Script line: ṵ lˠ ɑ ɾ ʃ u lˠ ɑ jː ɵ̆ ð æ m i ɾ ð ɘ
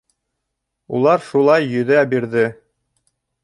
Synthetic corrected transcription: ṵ lˠ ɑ ɾ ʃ u lˠ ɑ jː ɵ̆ ð æ b i ɾ ð ɘ